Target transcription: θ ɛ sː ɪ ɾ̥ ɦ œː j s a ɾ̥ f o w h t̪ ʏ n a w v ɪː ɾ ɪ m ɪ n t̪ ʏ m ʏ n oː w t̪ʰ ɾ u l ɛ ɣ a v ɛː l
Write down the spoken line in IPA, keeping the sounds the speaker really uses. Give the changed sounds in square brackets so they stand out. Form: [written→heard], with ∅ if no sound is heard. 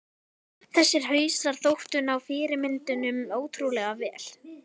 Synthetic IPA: θ ɛ sː ɪ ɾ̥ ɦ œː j s a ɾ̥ [f→θ] o w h t̪ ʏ n a w [v→f] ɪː ɾ ɪ m ɪ n t̪ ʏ [m→n] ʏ [n→m] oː w t̪ʰ ɾ u l ɛ ɣ a v ɛː l